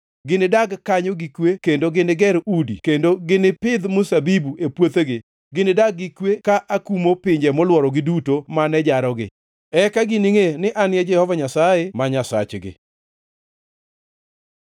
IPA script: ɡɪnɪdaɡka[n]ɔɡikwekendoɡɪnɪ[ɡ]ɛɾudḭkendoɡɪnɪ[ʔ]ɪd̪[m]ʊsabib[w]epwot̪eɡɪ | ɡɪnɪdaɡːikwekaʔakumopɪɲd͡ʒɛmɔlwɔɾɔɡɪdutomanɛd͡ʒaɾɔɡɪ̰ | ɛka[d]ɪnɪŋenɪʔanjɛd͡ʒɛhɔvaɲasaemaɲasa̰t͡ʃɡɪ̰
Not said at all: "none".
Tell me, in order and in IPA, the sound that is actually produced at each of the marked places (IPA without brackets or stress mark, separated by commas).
ɲ, ɡ, p, m, u, ɡ